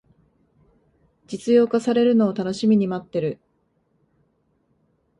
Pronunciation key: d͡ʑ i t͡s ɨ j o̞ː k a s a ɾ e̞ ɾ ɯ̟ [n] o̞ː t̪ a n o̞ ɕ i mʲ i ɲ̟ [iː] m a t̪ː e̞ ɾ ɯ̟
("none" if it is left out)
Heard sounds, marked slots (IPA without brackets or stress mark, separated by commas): n, i